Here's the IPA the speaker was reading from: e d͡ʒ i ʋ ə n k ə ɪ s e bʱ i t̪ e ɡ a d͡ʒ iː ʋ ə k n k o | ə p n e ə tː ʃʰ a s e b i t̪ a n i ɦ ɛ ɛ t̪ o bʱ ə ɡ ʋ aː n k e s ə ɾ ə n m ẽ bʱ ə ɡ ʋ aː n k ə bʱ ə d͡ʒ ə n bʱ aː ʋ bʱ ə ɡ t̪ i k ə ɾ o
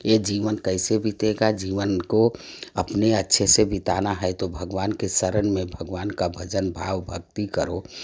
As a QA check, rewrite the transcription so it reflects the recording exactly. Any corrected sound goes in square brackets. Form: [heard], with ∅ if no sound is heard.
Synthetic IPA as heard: e d͡ʒ i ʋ ə n k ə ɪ s e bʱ i t̪ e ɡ a d͡ʒ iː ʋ ə [∅] n k o | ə p n e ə tː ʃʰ [e] s e b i t̪ a n [a] ɦ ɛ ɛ t̪ o bʱ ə ɡ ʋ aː n k e s ə ɾ ə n m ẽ bʱ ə ɡ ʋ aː n k [a] bʱ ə d͡ʒ ə n bʱ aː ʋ bʱ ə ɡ t̪ i k ə ɾ o